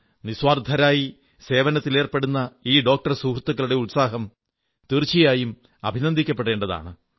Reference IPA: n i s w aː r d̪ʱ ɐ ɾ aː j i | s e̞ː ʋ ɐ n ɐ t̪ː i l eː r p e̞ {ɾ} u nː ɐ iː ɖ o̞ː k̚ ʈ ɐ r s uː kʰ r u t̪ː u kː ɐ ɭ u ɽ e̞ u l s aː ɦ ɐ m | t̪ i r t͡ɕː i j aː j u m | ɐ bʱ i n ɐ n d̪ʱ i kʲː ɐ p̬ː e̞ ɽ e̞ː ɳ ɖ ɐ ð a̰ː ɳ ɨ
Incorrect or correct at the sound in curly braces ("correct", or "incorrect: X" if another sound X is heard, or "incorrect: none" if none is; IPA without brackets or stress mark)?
incorrect: ɽ